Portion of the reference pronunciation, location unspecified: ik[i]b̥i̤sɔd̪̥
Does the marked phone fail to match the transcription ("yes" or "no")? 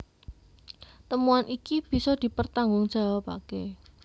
no